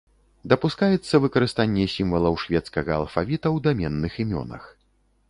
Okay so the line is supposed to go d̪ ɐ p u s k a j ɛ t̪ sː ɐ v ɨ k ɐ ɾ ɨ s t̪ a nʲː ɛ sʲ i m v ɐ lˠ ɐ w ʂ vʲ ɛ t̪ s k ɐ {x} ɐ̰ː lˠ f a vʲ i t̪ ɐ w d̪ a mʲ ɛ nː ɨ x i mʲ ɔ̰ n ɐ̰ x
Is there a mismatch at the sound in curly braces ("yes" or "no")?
yes